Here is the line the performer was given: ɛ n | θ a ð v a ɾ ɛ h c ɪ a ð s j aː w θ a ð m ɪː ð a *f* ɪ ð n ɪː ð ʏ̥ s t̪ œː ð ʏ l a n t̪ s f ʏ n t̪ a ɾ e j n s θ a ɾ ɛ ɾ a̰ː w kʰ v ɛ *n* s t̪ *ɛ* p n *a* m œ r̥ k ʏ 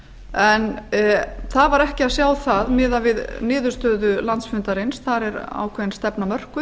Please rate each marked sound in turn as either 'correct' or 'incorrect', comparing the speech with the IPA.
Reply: incorrect: v, correct, correct, correct

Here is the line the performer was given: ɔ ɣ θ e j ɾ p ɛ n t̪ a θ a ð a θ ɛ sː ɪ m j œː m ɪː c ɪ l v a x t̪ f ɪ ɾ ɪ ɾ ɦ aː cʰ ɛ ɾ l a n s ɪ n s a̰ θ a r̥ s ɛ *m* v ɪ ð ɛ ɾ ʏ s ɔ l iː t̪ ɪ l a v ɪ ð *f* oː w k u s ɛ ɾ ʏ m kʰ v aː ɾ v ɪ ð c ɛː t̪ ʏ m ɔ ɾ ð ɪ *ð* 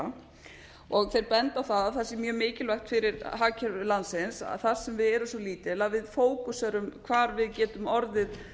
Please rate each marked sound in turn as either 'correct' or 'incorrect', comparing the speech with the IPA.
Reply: correct, correct, correct

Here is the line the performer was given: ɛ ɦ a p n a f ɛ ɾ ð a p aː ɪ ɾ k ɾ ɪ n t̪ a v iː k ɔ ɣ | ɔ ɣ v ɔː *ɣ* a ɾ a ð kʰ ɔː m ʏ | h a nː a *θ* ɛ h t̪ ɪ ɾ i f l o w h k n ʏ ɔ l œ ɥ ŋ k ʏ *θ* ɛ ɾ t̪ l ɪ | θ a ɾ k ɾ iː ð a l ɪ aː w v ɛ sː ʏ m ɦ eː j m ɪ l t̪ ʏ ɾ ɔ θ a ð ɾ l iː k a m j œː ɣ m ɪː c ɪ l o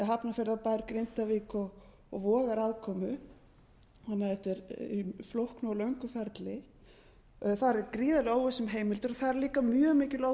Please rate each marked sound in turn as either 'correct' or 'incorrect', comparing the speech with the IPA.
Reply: correct, incorrect: ð, incorrect: f

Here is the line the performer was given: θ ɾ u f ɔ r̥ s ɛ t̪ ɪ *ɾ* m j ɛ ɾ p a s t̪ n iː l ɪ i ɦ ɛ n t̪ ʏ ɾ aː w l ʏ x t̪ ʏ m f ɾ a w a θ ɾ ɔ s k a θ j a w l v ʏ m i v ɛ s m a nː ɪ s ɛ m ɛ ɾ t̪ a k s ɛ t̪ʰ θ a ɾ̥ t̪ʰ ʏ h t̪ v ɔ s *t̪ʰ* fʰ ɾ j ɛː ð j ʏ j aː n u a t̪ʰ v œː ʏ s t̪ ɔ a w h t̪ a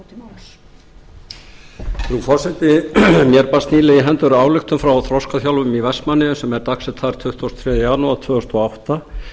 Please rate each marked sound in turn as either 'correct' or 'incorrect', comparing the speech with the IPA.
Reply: incorrect: none, incorrect: t̪

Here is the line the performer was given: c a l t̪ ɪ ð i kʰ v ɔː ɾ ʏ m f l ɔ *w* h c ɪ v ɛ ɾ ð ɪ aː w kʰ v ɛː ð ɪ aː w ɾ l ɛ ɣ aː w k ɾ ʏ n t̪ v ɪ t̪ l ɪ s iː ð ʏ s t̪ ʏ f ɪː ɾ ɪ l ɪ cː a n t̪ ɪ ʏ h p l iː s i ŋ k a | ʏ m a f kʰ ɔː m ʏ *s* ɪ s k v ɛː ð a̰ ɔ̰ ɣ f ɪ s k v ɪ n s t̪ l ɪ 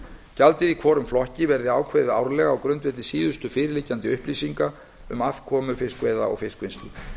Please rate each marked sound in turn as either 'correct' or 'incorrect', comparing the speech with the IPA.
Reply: incorrect: none, incorrect: f

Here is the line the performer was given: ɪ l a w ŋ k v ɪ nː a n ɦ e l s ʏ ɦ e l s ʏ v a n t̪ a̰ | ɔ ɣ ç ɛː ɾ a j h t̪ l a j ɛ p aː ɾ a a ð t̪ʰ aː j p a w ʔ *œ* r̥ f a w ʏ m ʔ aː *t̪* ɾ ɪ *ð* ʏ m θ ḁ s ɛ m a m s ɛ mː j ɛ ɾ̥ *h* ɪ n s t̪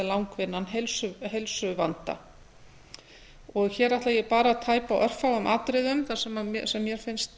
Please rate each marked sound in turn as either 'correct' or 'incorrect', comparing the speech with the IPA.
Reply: correct, correct, correct, incorrect: f

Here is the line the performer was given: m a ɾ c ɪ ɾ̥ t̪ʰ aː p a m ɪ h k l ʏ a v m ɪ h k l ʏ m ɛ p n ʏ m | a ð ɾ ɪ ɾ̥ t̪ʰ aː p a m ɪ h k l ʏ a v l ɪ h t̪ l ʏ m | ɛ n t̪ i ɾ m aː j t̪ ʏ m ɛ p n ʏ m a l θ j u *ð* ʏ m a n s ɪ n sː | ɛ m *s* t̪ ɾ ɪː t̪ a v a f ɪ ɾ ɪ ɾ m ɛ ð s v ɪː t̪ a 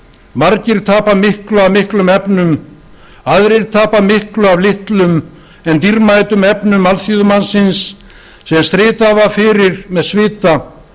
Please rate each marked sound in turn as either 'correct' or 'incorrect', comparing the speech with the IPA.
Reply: correct, correct

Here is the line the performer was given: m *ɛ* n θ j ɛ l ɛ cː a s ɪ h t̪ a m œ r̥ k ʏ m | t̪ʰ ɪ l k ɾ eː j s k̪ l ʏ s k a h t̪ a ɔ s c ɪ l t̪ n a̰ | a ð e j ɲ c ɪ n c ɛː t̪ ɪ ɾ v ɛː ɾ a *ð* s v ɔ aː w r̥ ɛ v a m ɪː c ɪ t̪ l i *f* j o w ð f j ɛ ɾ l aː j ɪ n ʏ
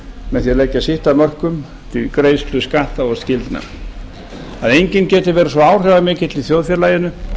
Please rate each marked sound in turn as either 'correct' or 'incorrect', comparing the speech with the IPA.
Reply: correct, incorrect: none, incorrect: θ

